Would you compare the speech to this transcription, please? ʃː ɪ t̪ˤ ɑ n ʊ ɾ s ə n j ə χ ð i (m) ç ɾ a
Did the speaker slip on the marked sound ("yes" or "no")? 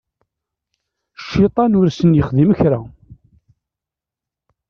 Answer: no